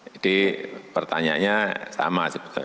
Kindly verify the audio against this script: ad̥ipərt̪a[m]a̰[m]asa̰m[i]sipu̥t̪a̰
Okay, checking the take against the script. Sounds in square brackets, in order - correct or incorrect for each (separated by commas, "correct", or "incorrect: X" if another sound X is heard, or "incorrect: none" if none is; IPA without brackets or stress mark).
incorrect: ɲ, incorrect: ɲ, incorrect: a